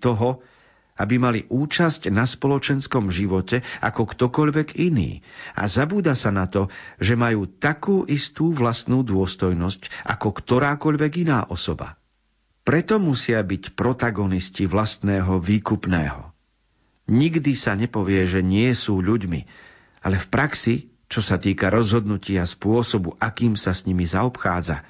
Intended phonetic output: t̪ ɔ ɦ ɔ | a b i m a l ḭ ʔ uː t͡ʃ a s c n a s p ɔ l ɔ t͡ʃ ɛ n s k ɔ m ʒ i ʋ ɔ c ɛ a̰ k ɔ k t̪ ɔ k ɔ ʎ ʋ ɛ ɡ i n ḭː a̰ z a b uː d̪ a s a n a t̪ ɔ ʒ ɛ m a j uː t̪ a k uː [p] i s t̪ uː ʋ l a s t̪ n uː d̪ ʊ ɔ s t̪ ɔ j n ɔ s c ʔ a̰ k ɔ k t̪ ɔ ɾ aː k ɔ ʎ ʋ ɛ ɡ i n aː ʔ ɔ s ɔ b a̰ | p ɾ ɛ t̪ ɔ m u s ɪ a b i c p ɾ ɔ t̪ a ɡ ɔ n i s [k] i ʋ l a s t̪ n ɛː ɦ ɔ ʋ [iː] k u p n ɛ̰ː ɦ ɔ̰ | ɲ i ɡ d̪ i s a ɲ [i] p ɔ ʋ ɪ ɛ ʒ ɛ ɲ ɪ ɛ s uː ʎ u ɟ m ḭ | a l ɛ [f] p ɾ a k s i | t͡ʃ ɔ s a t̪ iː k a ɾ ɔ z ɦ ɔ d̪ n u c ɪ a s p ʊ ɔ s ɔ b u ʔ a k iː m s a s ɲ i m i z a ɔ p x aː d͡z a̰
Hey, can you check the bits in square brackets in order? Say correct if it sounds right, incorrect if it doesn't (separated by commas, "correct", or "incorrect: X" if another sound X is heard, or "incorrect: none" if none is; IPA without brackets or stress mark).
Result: incorrect: ʔ, incorrect: c, correct, incorrect: ɛ, correct